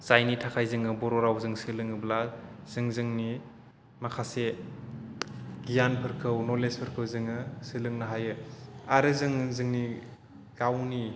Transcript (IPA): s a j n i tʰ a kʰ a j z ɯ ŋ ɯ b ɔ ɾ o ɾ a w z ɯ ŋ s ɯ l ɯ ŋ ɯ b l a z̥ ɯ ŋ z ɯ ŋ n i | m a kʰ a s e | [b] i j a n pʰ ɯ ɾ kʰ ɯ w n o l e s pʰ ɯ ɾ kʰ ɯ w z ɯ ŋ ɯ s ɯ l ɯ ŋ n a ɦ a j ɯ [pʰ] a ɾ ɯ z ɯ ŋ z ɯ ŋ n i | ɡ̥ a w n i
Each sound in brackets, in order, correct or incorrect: incorrect: ɡ, incorrect: none

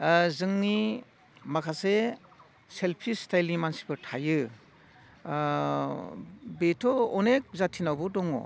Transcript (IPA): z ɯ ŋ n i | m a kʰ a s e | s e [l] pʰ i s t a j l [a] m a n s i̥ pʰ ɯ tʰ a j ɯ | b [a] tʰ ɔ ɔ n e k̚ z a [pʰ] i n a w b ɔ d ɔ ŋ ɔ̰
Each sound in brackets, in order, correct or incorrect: correct, incorrect: i, incorrect: e, incorrect: tʰ

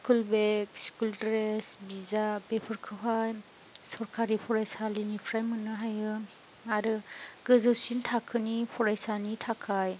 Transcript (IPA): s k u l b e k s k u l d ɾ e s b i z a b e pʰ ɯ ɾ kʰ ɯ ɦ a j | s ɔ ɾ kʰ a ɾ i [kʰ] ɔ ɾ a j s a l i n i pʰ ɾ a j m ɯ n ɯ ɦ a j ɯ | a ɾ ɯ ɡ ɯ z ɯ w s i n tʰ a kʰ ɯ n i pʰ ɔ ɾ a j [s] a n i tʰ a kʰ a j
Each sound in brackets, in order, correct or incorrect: incorrect: pʰ, correct

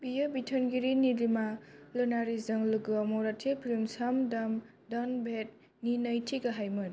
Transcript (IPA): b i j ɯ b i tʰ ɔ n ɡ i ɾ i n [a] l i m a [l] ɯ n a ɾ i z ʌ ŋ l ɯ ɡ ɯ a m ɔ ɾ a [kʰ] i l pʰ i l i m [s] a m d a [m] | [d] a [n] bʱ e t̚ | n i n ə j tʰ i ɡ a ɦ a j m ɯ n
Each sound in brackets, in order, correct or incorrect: incorrect: i, correct, incorrect: tʰ, correct, correct, correct, correct

